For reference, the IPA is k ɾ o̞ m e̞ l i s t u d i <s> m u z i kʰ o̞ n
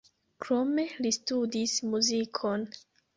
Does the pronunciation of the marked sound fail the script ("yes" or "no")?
no